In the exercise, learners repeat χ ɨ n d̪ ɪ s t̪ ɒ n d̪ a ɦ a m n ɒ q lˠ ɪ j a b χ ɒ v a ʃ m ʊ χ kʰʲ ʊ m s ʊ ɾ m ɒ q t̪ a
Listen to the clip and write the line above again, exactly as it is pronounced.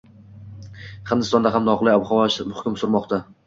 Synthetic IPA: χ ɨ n d̪ ɪ s t̪ ɒ n d̪ a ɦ a m n ɒ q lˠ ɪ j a b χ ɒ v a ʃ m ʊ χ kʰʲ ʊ m s ʊ ɾ m ɒ q t̪ a